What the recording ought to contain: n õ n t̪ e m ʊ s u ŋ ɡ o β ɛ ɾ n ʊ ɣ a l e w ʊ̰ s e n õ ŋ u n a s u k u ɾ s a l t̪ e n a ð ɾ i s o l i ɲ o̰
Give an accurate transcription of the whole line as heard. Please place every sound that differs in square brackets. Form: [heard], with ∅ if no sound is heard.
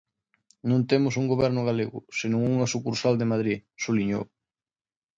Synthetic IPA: n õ n t̪ e m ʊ s u ŋ ɡ o β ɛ ɾ n ʊ ɣ a l e [ɣ] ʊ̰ s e n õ ŋ u [ŋ] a s u k u ɾ s a l [d̪] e [m] a ð ɾ i s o l i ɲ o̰